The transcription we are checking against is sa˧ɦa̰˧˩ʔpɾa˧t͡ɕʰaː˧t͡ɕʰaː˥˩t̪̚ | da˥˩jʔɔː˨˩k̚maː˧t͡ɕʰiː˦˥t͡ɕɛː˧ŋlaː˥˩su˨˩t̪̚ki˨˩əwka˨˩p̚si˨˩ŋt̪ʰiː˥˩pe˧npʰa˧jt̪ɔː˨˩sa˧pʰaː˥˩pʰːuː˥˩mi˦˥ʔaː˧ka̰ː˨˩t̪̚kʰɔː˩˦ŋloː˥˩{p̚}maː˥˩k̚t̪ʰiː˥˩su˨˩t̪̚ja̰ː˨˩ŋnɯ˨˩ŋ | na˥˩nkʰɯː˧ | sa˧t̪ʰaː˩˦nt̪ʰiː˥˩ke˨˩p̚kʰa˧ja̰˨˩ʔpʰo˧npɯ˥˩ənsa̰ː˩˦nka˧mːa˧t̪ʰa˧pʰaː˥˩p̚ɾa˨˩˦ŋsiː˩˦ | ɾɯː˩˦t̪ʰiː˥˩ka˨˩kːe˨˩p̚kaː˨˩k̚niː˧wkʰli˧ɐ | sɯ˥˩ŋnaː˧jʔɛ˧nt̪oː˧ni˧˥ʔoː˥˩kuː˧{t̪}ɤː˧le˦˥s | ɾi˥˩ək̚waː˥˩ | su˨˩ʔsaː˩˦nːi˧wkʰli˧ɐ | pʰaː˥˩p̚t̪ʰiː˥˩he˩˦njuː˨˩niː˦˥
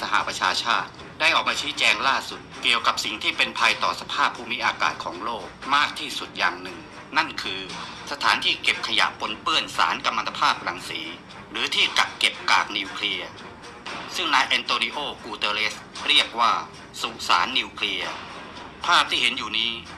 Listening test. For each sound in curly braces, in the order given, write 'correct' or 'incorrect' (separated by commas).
incorrect, correct